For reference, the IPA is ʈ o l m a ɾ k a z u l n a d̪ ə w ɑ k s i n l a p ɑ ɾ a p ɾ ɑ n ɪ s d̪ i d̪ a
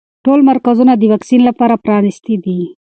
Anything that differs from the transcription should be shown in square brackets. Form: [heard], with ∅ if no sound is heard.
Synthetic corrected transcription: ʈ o l m a ɾ k a z u [∅] n a d̪ ə w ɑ k s i n l a p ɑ ɾ a p ɾ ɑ n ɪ s [t̪] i d̪ [i]